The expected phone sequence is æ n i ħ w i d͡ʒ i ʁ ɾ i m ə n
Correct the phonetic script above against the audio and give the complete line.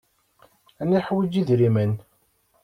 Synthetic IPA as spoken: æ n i ħ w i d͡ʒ i ð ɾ i m ə n